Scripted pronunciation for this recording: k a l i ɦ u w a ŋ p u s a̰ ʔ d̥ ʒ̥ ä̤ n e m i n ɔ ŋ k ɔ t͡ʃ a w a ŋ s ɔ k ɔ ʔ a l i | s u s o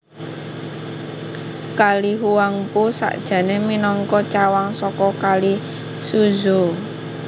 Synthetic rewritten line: k a l i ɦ u w a ŋ p u s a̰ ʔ d̥ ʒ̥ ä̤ n e m i n ɔ ŋ k ɔ t͡ʃ a w a ŋ s ɔ k ɔ k a l i | s u z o